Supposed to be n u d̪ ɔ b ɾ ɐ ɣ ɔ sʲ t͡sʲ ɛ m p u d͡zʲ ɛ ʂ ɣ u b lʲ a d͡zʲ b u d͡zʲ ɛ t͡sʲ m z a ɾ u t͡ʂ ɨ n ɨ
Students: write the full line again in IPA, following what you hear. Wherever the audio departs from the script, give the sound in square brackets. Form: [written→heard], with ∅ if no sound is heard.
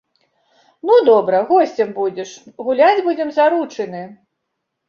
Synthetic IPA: n u d̪ ɔ b ɾ ɐ ɣ ɔ sʲ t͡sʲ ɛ m [p→b] u d͡zʲ ɛ ʂ ɣ u [b→∅] lʲ a d͡zʲ b u d͡zʲ ɛ [t͡sʲ→∅] m z a ɾ u t͡ʂ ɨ n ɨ